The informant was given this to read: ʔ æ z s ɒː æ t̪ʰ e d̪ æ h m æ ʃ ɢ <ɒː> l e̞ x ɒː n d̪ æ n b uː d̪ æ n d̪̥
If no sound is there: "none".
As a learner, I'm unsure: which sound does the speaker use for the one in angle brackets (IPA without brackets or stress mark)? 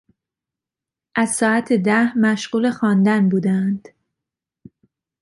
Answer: uː